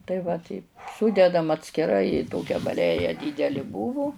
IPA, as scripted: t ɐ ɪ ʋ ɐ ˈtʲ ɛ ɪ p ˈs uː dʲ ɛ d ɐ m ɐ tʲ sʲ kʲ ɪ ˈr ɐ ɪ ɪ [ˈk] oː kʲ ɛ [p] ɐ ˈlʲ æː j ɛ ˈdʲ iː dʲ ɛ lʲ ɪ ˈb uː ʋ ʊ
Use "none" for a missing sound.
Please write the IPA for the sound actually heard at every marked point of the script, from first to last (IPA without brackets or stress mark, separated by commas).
t, b